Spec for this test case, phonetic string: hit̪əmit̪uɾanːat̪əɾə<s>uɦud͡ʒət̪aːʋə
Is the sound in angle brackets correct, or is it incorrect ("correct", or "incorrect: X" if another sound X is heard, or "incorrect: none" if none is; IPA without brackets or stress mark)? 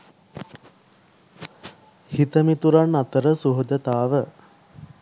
correct